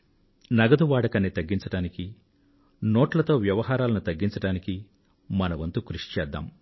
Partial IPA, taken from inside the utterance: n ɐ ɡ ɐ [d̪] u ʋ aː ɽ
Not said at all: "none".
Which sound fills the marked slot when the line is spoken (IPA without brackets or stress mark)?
d̪